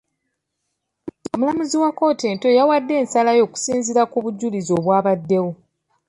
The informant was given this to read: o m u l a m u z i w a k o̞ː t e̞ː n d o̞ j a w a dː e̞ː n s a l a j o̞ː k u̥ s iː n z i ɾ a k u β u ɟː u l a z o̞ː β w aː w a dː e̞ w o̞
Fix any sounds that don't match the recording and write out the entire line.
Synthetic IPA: o m u l a m u z i w a k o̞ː t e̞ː n t o̞ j a w a dː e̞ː n s a l a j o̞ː k u̥ s iː n z i ɾ a k u β u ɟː u l i z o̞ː β w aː β a dː e̞ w o̞